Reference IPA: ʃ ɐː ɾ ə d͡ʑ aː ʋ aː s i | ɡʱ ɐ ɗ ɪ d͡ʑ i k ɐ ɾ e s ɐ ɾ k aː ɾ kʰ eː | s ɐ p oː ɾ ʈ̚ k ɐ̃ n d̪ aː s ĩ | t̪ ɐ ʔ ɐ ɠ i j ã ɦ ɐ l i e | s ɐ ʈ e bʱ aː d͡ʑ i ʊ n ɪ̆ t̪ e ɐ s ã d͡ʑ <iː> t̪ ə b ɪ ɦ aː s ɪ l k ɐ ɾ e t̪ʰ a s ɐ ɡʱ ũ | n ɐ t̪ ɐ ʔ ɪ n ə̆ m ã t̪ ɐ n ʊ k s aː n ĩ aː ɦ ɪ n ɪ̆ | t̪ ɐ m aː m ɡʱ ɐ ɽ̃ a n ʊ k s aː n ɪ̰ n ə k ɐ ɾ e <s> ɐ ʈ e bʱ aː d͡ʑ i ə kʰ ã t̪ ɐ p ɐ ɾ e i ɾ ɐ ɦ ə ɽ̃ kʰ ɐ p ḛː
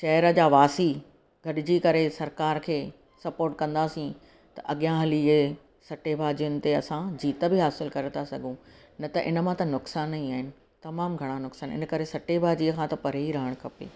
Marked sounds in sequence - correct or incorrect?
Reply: correct, correct

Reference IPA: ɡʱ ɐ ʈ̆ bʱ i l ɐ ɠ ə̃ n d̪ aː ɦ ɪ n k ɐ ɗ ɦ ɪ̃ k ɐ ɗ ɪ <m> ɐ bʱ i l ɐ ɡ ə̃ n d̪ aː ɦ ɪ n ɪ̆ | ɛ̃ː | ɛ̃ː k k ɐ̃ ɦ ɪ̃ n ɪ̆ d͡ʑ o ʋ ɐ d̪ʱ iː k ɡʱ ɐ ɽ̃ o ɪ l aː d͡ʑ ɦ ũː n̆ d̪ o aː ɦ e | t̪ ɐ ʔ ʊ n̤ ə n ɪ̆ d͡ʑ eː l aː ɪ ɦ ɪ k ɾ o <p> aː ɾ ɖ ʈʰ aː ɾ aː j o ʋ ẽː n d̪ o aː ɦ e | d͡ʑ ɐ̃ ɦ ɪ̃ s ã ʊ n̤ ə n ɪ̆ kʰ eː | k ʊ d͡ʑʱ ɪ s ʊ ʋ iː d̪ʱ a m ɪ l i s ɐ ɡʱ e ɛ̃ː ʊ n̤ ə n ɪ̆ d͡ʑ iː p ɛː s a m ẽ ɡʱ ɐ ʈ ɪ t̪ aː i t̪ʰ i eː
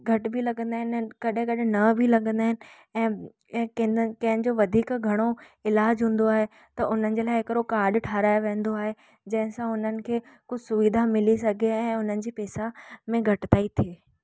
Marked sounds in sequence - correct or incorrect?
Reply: incorrect: n, incorrect: k

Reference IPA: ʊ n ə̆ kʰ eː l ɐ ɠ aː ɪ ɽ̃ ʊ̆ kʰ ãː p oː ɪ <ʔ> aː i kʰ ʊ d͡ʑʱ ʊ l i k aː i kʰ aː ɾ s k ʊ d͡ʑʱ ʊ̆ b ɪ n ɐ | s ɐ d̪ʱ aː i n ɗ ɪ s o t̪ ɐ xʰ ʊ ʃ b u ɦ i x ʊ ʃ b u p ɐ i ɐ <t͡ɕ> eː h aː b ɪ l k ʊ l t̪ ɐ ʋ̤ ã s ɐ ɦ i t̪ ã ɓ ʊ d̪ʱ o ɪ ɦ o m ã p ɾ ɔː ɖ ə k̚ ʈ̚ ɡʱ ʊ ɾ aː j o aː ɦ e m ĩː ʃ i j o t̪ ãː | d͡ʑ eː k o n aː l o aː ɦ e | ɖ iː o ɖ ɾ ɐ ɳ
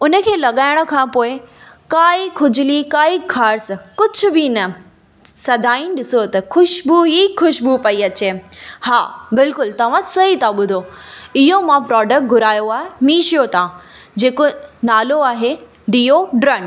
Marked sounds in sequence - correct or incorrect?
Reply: incorrect: k, correct

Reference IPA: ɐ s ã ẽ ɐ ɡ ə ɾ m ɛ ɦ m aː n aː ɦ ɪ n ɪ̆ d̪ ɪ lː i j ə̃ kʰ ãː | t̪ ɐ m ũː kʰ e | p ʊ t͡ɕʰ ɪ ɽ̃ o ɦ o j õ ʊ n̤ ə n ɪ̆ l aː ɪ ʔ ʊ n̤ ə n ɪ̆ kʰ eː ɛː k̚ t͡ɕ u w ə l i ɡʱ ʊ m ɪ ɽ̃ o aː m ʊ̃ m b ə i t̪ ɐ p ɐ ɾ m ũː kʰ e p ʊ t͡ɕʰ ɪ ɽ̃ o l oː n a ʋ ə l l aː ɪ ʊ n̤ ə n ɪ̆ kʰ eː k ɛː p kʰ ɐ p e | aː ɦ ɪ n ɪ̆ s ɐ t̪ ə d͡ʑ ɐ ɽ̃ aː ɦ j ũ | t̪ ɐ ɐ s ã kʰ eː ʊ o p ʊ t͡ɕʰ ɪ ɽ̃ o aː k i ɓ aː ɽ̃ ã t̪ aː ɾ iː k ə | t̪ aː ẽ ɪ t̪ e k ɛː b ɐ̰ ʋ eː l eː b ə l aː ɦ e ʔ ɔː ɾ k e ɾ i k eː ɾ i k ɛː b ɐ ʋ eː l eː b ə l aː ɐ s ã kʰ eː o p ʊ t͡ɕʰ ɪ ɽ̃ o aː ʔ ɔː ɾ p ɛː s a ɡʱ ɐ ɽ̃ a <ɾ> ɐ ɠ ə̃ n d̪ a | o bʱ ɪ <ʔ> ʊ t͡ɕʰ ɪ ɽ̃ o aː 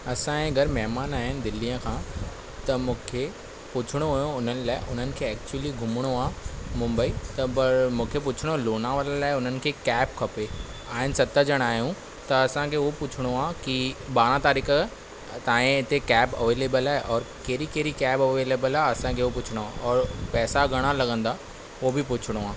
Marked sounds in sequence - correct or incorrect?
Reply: incorrect: l, incorrect: p

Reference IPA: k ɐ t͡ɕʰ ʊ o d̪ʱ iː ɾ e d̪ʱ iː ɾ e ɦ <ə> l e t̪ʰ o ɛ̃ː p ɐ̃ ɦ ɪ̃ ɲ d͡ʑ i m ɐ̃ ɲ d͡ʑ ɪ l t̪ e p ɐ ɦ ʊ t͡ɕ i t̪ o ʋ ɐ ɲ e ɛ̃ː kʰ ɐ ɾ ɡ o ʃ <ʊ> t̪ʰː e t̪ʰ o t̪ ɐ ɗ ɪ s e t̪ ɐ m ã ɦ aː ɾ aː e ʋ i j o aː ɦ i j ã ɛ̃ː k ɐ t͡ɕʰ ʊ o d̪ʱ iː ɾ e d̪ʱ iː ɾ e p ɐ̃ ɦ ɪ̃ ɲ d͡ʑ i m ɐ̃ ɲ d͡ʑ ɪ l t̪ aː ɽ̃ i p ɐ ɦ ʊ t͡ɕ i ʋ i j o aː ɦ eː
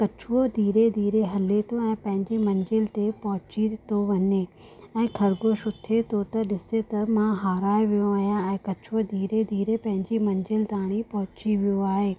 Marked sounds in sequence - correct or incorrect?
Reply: incorrect: ɐ, correct

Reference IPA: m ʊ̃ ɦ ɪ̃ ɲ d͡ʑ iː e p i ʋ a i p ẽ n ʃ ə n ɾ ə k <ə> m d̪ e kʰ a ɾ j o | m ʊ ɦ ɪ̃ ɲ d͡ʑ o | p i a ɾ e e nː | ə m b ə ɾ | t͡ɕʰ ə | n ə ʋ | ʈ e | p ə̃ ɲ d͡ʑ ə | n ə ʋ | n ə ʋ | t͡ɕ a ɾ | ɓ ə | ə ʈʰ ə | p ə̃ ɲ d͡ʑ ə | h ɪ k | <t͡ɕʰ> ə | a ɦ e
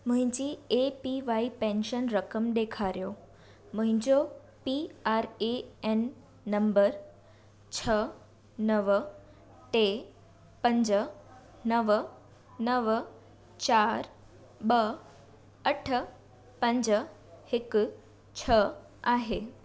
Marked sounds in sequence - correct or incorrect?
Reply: correct, correct

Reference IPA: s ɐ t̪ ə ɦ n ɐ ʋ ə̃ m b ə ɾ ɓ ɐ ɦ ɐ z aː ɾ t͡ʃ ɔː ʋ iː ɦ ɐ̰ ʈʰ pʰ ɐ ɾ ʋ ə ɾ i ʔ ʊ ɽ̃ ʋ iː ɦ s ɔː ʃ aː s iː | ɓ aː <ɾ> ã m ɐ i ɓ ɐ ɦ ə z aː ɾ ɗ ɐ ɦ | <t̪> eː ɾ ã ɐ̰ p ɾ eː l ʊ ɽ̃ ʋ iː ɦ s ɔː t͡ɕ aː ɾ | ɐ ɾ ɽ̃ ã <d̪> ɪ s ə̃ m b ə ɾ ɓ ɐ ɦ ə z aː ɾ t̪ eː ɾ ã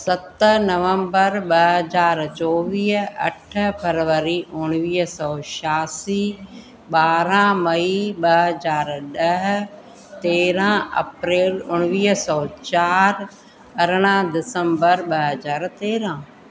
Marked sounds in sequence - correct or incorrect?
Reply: correct, correct, correct

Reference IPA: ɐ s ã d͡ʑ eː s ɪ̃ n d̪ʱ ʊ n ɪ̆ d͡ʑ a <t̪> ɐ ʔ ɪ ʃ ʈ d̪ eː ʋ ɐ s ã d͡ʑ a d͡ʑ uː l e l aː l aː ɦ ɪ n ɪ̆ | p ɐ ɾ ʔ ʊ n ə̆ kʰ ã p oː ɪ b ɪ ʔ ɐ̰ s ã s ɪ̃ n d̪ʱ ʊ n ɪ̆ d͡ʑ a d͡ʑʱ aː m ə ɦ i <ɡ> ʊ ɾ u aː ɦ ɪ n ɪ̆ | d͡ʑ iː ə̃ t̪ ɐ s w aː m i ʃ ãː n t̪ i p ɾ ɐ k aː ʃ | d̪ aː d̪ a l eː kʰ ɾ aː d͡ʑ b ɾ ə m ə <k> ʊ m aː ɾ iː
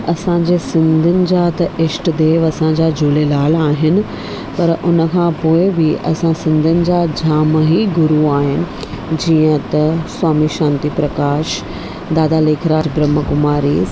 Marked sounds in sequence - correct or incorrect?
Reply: correct, correct, correct

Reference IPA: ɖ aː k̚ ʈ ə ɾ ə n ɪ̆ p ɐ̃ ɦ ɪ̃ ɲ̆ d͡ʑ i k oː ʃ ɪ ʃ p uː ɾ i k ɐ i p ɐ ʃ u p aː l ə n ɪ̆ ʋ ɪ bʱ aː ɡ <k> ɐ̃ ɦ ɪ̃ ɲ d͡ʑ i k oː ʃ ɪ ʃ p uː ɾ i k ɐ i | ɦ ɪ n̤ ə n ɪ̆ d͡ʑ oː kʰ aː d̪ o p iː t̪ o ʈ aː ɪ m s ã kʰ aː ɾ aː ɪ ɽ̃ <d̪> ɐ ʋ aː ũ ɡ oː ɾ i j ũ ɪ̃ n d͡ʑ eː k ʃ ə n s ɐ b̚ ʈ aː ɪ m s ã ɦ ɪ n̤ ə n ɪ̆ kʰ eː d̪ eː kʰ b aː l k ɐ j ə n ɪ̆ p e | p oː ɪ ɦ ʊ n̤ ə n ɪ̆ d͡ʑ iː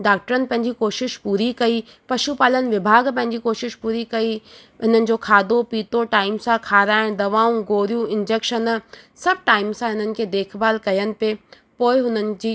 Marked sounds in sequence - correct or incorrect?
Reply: incorrect: p, correct

